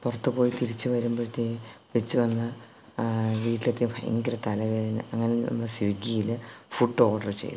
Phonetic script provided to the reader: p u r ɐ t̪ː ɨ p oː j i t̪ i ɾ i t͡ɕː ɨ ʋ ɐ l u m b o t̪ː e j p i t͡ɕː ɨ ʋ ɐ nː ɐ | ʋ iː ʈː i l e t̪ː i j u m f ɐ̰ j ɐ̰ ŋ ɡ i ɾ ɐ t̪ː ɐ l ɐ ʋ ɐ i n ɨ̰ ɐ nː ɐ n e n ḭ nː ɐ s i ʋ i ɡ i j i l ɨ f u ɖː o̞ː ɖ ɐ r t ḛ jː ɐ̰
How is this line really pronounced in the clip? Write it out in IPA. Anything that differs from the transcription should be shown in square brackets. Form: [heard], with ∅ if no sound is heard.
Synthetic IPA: p u r ɐ t̪ː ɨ p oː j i t̪ i ɾ i t͡ɕː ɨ ʋ ɐ [ɾ] u m b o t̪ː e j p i t͡ɕː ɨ ʋ ɐ nː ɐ | ʋ iː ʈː i l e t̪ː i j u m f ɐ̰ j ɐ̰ ŋ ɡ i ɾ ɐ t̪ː ɐ l ɐ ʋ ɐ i n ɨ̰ ɐ [ŋː] ɐ n e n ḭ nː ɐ s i ʋ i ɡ i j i l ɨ f u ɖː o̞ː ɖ ɐ r [t͡ɕ] ḛ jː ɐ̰